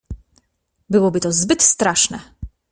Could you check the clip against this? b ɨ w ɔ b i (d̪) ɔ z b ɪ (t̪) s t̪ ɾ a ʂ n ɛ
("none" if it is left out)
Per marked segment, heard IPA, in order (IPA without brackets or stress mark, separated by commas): t̪, t̪